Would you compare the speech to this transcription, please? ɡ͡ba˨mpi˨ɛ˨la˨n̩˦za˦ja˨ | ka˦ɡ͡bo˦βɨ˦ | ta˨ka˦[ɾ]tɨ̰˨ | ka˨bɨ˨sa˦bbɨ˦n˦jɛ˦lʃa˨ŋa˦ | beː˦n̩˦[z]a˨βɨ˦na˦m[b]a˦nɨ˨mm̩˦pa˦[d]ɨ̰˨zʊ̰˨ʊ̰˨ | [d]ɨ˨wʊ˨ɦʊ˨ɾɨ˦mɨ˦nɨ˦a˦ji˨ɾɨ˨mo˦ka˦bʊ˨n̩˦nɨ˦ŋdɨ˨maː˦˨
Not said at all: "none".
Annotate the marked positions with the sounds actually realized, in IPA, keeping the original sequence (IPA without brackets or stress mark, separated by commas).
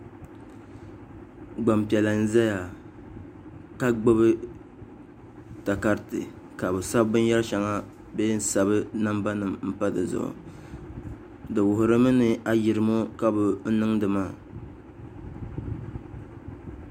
ɾ, s, b, d, d